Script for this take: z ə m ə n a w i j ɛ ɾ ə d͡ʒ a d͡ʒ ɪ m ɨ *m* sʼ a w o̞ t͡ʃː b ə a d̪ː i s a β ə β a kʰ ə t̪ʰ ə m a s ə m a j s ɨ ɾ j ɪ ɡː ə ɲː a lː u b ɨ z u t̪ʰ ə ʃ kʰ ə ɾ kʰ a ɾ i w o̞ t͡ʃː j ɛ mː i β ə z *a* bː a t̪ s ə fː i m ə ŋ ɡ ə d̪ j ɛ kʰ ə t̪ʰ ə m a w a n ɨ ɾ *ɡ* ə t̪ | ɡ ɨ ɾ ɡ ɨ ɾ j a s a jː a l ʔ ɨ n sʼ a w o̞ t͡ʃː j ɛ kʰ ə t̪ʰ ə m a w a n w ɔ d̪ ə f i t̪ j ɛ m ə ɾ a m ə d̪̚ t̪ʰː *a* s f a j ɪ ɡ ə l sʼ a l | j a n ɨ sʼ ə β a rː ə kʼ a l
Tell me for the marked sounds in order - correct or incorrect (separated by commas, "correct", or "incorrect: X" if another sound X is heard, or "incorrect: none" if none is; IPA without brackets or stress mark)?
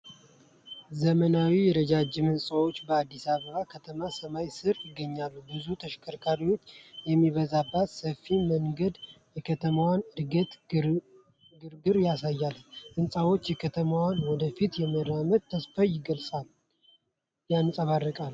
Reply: incorrect: n, correct, correct, incorrect: ə